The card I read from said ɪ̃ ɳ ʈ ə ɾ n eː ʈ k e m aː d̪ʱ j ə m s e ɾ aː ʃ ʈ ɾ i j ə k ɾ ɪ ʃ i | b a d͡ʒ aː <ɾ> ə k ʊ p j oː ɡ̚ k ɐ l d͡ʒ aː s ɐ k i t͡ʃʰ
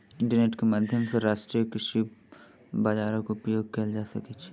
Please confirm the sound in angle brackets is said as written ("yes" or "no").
yes